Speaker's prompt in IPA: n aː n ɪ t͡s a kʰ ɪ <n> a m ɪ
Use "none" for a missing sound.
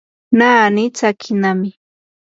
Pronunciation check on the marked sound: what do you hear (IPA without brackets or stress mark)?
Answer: n